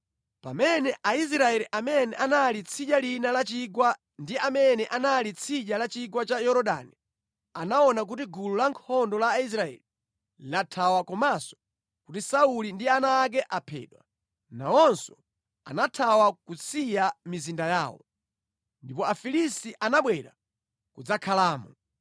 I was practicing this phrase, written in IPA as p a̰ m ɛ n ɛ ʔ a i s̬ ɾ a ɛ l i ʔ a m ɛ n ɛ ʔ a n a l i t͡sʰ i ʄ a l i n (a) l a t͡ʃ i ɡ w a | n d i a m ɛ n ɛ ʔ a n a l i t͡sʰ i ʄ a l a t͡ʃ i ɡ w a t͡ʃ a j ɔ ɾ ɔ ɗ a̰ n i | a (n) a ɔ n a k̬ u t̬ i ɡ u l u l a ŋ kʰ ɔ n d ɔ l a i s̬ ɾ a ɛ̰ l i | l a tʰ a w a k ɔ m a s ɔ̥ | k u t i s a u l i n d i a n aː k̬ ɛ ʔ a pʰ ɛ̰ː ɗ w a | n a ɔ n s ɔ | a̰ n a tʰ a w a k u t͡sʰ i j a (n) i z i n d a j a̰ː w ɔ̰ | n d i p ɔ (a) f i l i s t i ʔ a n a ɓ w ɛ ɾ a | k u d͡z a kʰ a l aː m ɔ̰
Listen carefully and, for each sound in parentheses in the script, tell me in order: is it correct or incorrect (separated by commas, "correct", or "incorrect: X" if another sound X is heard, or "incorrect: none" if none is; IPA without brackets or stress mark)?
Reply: correct, correct, incorrect: m, correct